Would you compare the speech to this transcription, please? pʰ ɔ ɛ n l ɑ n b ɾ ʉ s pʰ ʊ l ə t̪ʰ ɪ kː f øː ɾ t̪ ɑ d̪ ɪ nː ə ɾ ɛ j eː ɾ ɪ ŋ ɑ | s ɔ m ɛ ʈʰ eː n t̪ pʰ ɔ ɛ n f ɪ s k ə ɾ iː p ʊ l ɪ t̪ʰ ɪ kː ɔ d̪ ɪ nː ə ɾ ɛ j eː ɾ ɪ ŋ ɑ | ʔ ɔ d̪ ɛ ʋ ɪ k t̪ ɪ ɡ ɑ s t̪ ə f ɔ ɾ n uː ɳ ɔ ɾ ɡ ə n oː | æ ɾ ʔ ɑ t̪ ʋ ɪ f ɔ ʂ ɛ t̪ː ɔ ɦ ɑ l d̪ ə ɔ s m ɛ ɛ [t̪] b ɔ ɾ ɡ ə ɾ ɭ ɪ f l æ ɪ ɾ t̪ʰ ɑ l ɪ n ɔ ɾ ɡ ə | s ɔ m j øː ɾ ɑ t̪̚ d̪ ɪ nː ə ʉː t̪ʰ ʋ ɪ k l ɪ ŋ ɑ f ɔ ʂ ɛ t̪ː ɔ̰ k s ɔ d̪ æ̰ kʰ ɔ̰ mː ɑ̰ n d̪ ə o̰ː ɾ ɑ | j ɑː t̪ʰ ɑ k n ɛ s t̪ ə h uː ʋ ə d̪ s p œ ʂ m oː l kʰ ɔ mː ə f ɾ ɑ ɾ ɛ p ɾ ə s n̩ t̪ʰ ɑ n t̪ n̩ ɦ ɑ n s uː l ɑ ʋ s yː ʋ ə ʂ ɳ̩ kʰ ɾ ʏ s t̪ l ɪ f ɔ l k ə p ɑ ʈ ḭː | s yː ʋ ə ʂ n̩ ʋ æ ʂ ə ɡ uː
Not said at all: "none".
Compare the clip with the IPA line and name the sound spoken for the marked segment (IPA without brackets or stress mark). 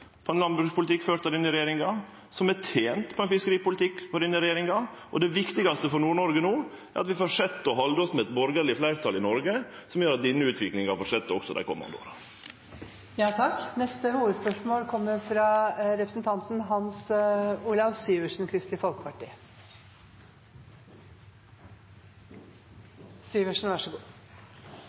t̪